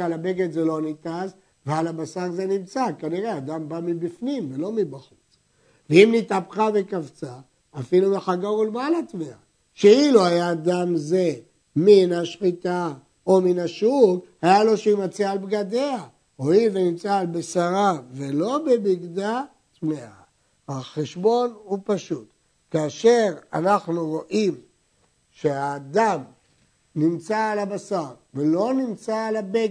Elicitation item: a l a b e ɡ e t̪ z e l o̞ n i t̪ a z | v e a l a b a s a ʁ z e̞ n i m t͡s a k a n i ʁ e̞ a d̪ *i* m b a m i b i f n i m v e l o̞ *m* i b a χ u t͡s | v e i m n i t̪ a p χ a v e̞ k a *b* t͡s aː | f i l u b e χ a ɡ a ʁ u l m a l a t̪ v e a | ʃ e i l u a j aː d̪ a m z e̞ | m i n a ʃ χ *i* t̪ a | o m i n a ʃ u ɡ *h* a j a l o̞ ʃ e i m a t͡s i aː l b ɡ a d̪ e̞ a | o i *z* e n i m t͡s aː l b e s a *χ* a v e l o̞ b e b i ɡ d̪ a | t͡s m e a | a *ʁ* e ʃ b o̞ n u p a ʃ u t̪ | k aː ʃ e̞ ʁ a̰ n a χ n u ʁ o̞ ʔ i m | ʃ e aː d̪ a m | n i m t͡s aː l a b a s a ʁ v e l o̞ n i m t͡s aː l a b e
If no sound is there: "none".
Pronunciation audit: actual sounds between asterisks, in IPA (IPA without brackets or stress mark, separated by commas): a, m, v, i, h, v, ʁ, χ